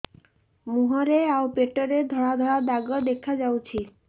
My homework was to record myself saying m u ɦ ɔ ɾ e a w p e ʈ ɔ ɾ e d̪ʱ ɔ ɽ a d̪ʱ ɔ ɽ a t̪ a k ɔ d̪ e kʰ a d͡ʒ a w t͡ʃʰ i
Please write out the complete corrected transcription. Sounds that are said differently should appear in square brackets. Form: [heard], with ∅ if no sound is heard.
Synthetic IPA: m u ɦ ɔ ɾ e a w p e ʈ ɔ ɾ e d̪ʱ ɔ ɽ a d̪ʱ ɔ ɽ a [d̪] a [ɡ] ɔ d̪ e kʰ a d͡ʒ a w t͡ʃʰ i